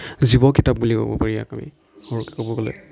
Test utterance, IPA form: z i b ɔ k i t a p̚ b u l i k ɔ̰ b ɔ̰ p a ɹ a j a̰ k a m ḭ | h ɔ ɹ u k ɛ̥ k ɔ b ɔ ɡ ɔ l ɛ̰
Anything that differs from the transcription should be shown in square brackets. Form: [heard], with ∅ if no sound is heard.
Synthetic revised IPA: z i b ɔ k i t a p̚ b u l i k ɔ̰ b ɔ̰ p a ɹ [i] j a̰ k a m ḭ | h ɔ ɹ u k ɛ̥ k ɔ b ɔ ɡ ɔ l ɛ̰